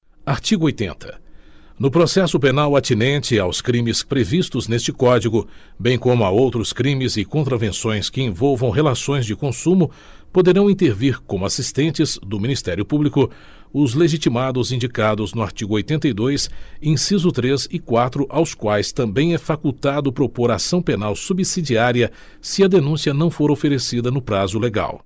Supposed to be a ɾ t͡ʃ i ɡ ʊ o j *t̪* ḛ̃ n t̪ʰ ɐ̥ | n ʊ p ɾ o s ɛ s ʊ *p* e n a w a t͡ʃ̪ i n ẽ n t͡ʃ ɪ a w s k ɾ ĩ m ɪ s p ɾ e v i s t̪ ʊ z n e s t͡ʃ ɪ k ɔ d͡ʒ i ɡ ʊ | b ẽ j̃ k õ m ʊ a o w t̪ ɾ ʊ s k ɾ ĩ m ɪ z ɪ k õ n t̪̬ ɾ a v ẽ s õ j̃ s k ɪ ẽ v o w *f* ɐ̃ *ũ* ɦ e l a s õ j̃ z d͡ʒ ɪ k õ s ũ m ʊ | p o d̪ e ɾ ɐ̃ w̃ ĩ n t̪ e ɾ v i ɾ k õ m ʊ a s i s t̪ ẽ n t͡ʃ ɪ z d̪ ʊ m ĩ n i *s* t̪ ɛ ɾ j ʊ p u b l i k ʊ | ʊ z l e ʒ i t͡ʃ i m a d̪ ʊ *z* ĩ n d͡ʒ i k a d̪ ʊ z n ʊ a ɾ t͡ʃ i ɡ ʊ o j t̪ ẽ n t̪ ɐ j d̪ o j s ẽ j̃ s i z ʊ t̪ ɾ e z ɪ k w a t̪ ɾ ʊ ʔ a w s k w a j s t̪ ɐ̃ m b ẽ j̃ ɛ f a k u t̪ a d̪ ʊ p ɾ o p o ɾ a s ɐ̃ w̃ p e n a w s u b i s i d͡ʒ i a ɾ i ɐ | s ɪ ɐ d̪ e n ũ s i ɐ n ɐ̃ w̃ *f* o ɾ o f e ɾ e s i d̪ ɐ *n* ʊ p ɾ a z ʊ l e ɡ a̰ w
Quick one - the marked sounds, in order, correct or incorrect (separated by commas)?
correct, correct, incorrect, incorrect, correct, correct, correct, correct